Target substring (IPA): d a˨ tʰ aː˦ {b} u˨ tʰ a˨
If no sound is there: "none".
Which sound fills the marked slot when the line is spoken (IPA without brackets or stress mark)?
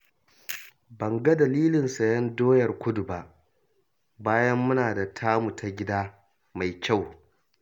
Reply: m